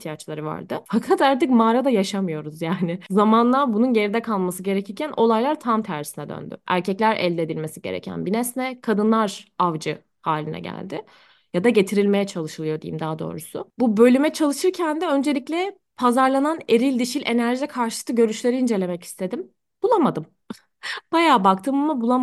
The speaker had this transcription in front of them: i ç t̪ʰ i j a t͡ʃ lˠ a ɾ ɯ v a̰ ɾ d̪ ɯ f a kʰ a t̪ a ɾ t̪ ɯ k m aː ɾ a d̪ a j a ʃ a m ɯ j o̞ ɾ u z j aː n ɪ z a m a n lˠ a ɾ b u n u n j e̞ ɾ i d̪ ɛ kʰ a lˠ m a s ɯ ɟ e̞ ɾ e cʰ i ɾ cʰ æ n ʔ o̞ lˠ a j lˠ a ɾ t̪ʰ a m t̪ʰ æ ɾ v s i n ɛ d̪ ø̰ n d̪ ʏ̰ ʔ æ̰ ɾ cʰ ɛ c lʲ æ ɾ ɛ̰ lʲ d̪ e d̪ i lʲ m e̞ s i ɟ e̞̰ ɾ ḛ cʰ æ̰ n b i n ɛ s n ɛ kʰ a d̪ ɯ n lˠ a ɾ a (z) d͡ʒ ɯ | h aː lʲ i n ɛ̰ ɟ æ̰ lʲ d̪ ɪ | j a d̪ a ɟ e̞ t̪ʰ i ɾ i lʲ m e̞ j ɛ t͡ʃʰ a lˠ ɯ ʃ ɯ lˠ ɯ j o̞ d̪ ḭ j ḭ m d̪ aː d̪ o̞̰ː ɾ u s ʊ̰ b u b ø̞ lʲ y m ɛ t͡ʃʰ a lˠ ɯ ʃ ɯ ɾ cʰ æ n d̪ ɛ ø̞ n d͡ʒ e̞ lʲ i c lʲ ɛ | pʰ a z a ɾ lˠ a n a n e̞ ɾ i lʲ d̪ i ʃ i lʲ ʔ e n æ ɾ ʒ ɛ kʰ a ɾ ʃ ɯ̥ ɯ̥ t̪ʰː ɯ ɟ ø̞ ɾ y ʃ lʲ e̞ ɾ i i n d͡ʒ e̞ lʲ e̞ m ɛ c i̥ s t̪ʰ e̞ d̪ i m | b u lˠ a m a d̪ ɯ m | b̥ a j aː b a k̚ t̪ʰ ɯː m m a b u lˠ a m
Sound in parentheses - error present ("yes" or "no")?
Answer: yes